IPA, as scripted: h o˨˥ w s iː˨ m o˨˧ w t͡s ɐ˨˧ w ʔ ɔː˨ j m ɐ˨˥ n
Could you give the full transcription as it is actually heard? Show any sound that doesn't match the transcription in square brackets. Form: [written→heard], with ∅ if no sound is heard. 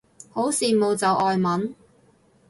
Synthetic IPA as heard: h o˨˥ w s iː˨ m o˨˧ w t͡s ɐ˨˧ w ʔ ɔː˨ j m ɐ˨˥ n